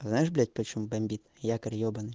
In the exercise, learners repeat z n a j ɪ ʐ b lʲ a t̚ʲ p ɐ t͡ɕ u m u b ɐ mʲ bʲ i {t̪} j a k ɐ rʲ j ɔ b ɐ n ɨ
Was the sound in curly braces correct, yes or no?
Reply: yes